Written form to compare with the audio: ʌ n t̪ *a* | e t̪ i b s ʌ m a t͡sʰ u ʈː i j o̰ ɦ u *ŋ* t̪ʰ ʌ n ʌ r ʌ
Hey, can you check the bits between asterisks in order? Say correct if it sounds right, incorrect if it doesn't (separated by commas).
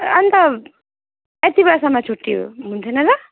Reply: incorrect, incorrect